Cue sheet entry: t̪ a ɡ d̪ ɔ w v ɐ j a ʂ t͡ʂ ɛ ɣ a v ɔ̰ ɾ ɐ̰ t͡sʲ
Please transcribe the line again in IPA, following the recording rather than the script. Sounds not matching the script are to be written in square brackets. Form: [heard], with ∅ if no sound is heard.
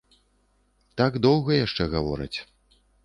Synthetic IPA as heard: t̪ a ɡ d̪ ɔ w [ɣ] ɐ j a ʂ t͡ʂ ɛ ɣ a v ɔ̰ ɾ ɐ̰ t͡sʲ